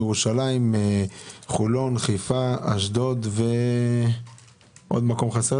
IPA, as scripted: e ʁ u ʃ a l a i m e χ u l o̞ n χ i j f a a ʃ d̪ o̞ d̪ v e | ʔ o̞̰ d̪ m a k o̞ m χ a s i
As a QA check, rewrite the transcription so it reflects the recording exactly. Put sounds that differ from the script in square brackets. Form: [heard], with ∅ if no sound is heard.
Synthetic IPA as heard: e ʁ u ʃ a l a i m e χ u l o̞ n χ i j f a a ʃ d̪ o̞ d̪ v e | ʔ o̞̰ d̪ m a k o̞ m χ a s [e]